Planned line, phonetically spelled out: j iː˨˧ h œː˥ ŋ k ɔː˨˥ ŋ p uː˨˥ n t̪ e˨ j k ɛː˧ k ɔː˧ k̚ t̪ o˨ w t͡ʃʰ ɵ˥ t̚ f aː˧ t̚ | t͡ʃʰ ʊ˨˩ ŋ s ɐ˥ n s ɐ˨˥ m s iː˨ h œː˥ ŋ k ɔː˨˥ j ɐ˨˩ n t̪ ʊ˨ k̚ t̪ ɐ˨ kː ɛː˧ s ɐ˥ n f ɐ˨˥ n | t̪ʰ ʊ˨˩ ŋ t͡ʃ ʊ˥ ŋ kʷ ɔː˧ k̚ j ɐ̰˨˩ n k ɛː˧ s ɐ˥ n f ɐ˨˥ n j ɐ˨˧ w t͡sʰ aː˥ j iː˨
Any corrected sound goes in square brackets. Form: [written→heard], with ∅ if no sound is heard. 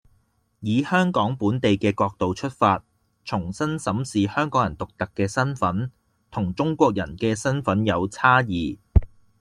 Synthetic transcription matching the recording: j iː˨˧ h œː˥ ŋ k ɔː˨˥ ŋ p uː˨˥ n t̪ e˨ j k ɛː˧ k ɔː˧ k̚ t̪ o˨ w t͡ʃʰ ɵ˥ t̚ f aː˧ t̚ | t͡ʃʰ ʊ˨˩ ŋ s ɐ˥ n s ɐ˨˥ m s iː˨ h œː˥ ŋ k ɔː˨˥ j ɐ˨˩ n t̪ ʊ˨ k̚ t̪ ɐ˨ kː ɛː˧ s ɐ˥ n f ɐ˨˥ n | t̪ʰ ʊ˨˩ ŋ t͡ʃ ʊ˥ ŋ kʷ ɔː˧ k̚ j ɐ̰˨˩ n k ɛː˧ s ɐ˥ n f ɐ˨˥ n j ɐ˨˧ w t͡sʰ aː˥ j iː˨